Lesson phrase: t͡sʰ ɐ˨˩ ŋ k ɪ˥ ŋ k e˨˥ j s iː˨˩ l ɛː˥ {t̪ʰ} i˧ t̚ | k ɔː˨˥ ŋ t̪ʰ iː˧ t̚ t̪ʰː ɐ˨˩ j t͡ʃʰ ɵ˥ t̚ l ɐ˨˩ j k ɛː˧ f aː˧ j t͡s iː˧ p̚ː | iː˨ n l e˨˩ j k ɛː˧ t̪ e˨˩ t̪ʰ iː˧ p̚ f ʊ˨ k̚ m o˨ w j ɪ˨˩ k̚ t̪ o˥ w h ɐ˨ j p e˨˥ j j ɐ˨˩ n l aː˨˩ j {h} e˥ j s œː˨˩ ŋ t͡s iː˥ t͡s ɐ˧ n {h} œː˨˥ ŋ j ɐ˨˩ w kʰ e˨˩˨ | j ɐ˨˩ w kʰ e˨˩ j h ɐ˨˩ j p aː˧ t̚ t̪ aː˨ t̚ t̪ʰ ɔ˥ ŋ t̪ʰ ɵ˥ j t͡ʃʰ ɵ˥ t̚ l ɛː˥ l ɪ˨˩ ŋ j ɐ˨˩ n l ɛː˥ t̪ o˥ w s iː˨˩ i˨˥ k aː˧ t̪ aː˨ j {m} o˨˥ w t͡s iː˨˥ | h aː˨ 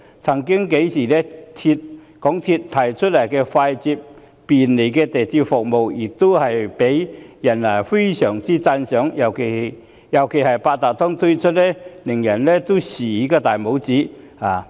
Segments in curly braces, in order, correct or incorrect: correct, incorrect: f, incorrect: s, correct

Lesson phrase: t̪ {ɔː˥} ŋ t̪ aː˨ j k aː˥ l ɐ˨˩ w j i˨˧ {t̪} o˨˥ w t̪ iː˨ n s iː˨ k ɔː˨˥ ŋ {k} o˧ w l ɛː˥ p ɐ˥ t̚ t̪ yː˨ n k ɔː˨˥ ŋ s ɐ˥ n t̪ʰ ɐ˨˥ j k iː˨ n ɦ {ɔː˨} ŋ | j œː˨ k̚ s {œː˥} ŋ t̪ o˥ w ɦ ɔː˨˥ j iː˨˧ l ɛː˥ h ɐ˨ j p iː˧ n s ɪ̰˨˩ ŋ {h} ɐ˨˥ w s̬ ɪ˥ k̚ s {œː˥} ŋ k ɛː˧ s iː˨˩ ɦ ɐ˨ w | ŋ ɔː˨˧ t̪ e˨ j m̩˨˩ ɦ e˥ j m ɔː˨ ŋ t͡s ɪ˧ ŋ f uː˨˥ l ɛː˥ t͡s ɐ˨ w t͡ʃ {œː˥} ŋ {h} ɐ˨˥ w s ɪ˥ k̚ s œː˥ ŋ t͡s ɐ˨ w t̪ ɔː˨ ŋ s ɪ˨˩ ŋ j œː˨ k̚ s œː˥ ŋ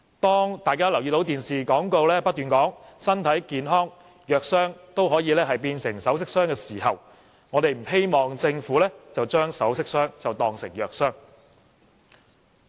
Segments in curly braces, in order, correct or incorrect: correct, correct, correct, incorrect: ɔː˥, correct, incorrect: s, correct, correct, incorrect: s

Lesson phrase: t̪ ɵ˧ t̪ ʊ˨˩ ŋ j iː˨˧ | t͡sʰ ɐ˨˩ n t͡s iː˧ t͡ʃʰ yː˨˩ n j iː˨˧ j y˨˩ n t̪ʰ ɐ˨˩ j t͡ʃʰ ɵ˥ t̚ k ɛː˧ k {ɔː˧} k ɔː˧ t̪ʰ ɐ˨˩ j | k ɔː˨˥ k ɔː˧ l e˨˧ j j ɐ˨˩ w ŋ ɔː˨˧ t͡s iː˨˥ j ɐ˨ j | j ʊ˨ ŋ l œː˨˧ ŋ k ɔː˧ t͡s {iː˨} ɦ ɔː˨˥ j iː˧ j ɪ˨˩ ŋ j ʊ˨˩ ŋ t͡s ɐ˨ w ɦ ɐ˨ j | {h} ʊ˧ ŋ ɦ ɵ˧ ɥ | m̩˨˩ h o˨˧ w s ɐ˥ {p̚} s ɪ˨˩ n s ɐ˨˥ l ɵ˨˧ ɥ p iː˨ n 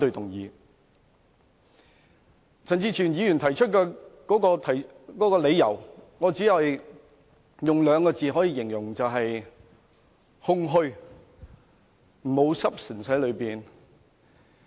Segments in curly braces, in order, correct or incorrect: incorrect: ɔː˨˥, correct, correct, correct

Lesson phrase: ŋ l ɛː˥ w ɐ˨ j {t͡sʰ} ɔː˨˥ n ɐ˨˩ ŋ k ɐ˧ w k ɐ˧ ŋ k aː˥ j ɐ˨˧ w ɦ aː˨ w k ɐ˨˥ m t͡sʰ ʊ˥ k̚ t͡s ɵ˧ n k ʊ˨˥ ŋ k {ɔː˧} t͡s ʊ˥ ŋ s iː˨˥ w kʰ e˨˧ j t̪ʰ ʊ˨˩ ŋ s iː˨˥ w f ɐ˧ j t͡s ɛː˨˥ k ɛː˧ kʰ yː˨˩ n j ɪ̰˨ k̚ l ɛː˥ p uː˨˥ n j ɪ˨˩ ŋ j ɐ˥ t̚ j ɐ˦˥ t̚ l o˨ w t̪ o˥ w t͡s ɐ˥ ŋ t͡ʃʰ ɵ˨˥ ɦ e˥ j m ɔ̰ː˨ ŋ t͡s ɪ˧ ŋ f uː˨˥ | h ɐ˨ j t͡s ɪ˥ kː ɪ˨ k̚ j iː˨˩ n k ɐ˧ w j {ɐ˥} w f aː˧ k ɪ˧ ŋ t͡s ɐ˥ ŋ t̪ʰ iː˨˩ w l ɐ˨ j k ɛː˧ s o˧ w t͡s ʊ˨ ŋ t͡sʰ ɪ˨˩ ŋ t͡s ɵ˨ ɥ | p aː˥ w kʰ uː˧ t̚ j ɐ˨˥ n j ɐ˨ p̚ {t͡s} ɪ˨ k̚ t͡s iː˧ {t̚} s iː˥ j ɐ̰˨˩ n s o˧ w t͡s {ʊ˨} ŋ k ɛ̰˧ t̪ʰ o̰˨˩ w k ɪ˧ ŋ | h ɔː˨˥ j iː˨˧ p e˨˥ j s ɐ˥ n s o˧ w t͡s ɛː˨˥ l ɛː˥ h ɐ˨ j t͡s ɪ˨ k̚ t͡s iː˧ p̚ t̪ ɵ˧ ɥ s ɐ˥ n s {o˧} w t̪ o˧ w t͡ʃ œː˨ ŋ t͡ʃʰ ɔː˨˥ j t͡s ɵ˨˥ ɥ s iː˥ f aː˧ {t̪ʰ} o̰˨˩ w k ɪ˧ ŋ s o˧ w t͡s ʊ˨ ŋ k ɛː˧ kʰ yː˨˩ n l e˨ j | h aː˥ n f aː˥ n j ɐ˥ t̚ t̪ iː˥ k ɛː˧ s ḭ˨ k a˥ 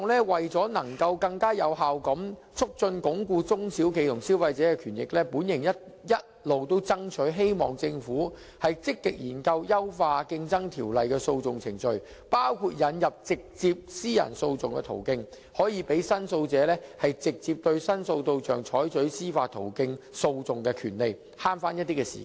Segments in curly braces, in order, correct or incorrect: incorrect: t͡s, incorrect: uː˧, correct, correct, incorrect: p̚, correct, correct, correct

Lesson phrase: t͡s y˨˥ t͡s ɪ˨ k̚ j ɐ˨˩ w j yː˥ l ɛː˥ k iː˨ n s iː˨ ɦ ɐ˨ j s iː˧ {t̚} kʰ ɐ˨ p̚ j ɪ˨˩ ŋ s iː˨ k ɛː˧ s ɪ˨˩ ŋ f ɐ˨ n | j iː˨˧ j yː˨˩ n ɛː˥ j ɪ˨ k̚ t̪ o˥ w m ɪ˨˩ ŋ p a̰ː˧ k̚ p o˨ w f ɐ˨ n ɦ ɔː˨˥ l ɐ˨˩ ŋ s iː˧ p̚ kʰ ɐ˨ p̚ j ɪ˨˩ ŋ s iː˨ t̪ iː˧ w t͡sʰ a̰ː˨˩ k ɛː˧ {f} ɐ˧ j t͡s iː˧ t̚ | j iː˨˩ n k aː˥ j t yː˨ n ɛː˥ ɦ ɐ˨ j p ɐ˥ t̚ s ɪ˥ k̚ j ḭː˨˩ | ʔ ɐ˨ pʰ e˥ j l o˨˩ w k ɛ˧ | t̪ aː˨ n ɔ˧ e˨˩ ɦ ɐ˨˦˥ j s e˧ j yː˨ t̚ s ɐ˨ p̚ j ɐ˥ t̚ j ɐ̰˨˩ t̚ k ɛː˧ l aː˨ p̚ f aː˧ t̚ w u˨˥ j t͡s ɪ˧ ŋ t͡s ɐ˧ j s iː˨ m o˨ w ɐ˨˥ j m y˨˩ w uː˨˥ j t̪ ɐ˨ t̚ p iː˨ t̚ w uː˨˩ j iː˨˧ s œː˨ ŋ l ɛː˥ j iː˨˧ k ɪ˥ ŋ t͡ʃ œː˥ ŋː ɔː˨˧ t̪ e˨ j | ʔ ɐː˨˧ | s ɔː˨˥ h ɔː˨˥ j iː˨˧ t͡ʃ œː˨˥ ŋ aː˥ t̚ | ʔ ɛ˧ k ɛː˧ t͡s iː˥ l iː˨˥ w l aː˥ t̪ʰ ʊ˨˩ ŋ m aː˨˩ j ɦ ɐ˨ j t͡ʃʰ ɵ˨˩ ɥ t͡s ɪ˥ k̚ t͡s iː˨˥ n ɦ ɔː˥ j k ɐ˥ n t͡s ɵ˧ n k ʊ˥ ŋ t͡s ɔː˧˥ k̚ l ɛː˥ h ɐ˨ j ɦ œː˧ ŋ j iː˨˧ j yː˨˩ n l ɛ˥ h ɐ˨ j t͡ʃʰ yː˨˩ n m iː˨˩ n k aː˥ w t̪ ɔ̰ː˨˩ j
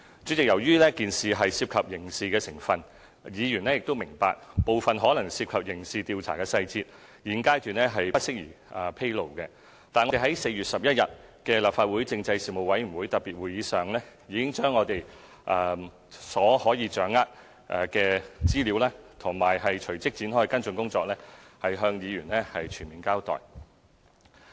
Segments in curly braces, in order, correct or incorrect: incorrect: p̚, incorrect: s

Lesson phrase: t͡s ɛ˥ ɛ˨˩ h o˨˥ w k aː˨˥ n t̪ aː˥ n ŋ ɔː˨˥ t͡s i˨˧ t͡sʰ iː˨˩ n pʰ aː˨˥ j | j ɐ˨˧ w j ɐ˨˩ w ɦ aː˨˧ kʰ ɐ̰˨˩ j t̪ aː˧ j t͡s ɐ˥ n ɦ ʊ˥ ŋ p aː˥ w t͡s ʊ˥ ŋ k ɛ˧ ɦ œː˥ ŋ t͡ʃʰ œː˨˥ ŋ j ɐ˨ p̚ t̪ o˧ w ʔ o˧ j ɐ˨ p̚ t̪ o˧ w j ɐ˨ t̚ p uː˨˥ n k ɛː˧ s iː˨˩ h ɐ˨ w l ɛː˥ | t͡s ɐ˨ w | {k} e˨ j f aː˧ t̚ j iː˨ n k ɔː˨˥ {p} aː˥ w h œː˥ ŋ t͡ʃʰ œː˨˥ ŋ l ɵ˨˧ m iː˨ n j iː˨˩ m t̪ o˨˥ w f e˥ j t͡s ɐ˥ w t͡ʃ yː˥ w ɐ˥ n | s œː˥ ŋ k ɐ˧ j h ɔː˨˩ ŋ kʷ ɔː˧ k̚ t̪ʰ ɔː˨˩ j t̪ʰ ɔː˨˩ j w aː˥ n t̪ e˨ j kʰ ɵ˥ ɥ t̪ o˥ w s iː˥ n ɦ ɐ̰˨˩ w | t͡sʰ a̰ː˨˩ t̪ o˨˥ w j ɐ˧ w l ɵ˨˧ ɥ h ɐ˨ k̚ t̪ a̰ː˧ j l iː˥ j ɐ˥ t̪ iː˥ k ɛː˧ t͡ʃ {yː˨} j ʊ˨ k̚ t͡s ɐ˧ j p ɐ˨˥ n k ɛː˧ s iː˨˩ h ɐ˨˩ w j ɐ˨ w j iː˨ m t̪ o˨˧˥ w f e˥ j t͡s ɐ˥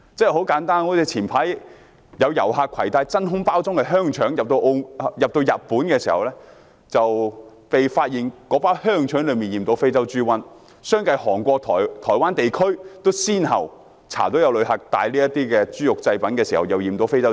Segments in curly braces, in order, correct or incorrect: incorrect: p, correct, incorrect: yː˥

